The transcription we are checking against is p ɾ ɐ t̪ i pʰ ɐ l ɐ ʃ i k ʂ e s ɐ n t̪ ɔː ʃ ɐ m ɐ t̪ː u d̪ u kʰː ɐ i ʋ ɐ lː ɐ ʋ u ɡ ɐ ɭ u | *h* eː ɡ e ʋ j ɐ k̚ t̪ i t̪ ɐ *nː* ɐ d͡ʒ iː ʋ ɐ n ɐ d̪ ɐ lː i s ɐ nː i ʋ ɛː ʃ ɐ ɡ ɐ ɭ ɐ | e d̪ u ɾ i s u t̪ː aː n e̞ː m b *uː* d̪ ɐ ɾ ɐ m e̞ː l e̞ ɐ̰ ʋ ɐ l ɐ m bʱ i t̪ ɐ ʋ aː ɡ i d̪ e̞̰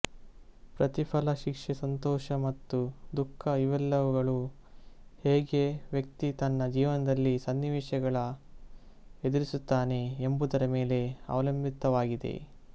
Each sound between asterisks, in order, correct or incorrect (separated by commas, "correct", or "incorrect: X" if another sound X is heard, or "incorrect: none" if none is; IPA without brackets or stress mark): correct, correct, incorrect: u